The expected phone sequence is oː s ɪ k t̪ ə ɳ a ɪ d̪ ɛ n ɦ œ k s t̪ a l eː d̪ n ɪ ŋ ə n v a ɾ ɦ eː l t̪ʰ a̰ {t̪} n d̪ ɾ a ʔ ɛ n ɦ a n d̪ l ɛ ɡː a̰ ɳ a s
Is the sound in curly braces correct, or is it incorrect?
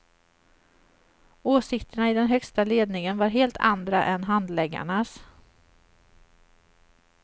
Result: incorrect